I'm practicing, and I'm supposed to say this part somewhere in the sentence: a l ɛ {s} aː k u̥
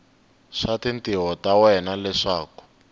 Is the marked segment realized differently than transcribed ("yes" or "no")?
yes